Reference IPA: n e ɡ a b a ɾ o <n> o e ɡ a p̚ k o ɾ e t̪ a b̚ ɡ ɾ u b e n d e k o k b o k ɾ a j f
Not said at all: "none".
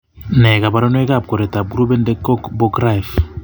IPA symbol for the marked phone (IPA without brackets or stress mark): n